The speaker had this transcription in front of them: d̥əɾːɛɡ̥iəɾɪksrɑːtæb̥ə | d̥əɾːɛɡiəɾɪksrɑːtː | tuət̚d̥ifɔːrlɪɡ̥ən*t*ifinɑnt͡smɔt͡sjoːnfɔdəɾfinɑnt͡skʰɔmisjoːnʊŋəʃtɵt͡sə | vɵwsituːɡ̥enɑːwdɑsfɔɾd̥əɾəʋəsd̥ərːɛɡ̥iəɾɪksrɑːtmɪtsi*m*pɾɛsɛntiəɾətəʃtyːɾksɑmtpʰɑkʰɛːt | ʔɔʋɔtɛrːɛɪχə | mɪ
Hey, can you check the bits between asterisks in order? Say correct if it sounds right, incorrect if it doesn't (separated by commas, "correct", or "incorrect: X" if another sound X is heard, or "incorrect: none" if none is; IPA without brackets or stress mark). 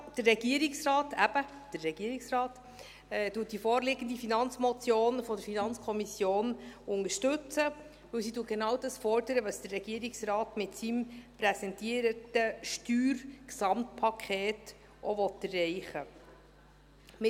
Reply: incorrect: d, correct